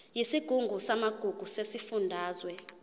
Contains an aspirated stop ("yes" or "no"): no